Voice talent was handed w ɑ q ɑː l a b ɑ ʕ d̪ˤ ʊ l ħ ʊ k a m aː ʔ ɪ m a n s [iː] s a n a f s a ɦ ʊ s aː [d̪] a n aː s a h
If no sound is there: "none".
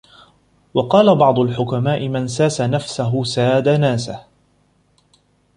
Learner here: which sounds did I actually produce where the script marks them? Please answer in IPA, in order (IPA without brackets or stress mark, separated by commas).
aː, d̪